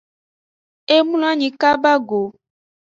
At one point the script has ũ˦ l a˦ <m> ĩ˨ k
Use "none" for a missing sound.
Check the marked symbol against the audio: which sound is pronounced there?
ɲ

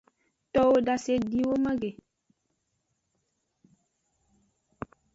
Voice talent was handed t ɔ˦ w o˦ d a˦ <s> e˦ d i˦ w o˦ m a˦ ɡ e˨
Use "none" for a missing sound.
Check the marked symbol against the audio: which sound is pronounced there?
s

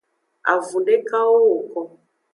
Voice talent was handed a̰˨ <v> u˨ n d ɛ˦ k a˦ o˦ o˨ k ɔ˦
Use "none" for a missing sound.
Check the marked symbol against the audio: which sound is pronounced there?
v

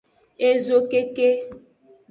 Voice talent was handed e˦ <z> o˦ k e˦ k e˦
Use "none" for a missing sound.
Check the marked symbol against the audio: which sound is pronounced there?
z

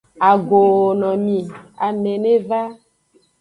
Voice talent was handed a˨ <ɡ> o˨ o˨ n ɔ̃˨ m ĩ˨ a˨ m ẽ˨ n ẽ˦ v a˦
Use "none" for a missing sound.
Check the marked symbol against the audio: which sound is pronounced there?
ɡ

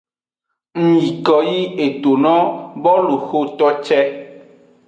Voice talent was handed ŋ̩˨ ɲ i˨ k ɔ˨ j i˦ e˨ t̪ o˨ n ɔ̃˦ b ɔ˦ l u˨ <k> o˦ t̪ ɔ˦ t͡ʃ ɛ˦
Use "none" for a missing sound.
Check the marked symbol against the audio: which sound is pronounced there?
x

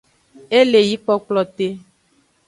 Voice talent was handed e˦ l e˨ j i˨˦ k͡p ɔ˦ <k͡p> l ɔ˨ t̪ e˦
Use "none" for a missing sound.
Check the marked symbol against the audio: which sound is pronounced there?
k͡p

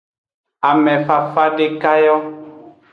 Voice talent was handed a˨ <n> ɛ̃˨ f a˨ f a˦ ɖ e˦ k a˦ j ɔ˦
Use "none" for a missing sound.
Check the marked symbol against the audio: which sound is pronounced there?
m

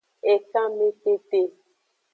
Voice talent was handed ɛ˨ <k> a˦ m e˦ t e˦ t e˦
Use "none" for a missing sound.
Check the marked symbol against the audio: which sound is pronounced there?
k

